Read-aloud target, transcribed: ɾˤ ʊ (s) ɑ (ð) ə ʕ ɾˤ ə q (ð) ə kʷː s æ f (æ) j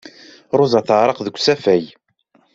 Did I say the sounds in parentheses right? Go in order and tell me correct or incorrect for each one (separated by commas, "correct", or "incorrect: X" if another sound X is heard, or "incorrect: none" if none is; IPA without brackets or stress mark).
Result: incorrect: z, incorrect: θ, correct, correct